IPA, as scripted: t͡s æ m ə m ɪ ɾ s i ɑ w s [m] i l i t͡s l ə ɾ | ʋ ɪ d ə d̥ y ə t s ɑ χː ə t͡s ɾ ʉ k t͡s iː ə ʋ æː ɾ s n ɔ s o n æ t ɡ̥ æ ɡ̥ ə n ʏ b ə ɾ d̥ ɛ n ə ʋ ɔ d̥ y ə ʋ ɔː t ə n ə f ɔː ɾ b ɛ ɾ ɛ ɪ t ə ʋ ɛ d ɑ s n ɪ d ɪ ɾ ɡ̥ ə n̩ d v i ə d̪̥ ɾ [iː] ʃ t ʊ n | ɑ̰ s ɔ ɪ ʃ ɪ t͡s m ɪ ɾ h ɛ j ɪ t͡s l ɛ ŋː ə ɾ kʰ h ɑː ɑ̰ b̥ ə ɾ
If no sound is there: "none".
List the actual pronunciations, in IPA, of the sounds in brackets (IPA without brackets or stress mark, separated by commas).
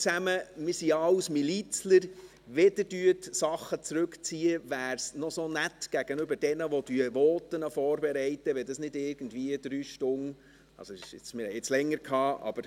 m, yː